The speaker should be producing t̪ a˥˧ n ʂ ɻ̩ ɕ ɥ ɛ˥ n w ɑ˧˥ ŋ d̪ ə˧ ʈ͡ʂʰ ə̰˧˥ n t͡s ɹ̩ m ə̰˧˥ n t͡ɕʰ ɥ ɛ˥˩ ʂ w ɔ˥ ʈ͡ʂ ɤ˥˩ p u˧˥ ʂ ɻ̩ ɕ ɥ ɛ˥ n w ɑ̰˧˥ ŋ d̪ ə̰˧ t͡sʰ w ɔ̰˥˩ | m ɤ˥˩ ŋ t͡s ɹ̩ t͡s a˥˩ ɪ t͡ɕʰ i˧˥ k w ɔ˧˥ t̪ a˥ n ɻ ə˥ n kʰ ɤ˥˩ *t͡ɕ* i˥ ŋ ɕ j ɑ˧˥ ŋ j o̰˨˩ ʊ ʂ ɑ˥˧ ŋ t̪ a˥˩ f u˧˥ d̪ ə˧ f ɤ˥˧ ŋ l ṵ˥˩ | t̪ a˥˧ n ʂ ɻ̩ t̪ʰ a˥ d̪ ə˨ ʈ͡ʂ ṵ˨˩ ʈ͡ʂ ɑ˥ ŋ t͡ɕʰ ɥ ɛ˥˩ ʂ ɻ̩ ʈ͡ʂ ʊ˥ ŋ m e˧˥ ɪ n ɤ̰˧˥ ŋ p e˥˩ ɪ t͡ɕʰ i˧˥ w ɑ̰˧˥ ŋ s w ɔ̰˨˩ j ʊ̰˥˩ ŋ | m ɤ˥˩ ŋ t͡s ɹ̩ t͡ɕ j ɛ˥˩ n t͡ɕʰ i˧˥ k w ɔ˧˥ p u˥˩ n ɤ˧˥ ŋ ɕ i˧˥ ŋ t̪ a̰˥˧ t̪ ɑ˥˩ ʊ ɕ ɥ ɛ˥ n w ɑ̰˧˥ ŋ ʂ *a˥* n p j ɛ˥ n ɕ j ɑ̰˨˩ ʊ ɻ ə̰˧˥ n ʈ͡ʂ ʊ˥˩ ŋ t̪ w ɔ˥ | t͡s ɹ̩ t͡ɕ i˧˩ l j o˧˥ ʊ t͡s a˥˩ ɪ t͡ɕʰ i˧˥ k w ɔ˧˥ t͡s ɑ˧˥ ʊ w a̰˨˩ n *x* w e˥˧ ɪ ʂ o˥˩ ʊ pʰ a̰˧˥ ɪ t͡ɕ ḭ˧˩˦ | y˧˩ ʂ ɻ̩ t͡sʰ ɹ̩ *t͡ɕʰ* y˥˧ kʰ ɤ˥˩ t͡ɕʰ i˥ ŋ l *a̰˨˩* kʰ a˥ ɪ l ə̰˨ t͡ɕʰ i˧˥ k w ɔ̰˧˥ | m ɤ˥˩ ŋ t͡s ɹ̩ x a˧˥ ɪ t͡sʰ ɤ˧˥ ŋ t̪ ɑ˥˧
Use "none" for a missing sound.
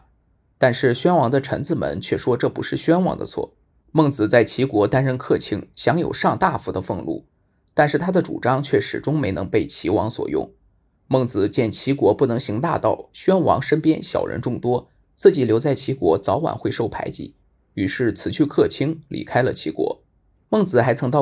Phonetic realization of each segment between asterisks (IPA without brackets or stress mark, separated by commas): t͡ɕʰ, ə˥, x, t͡ɕʰ, ḭ˨˩